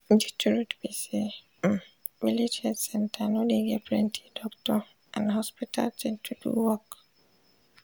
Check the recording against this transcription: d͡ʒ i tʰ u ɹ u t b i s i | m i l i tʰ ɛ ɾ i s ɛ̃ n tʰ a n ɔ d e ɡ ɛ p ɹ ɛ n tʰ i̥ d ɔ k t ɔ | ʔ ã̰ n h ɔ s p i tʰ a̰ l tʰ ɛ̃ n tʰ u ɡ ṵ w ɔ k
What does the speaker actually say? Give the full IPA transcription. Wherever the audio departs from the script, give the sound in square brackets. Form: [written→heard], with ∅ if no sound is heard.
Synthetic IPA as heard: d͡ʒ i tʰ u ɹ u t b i s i | m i l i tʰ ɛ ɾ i s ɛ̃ n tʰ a n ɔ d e ɡ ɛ p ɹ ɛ n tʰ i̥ d ɔ k t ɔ | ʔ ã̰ n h ɔ s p i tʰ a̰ l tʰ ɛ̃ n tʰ u [ɡ→d] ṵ w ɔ k